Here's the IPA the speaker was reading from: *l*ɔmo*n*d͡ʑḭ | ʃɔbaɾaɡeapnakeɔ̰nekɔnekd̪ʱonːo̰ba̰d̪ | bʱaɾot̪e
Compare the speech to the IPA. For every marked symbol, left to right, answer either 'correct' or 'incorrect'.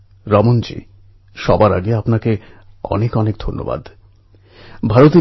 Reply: incorrect: ɾ, correct

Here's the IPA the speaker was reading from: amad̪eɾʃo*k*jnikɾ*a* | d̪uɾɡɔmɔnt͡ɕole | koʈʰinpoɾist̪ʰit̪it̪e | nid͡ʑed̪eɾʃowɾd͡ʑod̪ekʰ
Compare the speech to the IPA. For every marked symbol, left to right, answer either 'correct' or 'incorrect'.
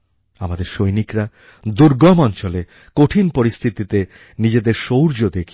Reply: incorrect: none, correct

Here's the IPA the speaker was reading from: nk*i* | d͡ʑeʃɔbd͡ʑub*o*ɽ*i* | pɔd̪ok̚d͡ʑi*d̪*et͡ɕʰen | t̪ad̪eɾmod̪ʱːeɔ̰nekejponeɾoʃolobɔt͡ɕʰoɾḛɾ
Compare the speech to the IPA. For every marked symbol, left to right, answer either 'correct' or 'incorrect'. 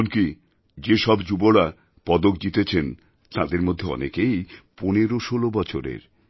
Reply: correct, correct, incorrect: a, incorrect: t̪

